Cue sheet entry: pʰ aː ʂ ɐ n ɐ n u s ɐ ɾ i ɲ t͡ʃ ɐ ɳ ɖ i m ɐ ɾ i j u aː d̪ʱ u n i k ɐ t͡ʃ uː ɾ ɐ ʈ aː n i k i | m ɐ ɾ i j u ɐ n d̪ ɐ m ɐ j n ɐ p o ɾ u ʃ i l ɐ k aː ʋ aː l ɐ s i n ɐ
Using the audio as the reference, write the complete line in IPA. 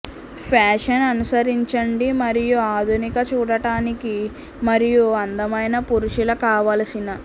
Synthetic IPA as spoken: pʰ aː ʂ ɐ n ɐ n u s ɐ ɾ i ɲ t͡ʃ ɐ ɳ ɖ i m ɐ ɾ i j u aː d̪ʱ u n i k ɐ t͡ʃ uː ɽ ɐ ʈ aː n i k i | m ɐ ɾ i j u ɐ n d̪ ɐ m ɐ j n ɐ p u ɾ u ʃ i l ɐ k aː ʋ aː l ɐ s i n ɐ